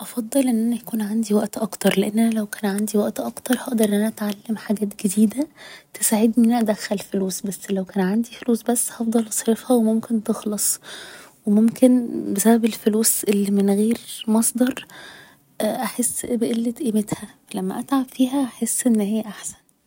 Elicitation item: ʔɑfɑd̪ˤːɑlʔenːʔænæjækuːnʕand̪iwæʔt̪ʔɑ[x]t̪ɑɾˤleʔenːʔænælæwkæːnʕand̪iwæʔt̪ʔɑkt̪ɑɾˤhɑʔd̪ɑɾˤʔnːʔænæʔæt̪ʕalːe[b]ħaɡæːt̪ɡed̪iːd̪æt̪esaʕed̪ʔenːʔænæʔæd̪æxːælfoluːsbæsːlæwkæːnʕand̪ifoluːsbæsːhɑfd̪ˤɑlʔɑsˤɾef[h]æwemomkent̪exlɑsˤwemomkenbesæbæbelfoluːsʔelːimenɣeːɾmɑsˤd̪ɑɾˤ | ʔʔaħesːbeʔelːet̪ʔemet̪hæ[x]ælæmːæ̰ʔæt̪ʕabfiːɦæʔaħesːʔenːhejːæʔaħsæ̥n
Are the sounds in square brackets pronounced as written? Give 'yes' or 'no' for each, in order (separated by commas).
no, no, yes, no